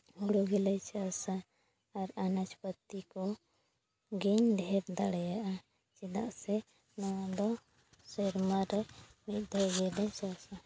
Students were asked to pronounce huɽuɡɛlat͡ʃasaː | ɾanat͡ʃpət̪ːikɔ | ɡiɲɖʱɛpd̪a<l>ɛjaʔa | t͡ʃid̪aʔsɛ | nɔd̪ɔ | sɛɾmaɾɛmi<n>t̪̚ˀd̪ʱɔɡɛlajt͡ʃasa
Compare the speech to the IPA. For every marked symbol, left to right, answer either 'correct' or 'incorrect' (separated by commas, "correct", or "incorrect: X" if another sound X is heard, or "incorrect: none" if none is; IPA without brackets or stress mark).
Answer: incorrect: ɽ, incorrect: none